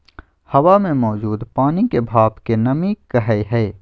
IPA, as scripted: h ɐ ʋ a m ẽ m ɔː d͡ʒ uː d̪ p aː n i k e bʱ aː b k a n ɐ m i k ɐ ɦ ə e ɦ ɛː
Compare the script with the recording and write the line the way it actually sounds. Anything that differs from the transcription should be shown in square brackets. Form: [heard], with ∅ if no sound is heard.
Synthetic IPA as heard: h ɐ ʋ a m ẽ m ɔː d͡ʒ uː d̪ p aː n i k e bʱ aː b k [e] n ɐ m i k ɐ ɦ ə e ɦ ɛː